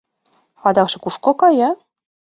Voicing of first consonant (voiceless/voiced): voiced